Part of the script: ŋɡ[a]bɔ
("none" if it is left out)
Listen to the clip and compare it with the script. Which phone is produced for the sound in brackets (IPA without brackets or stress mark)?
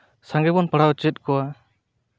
ɛ